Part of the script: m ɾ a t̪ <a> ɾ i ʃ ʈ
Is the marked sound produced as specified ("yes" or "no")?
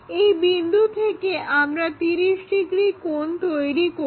no